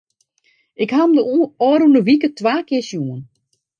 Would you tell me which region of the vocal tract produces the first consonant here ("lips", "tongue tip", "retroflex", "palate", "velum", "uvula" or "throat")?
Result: velum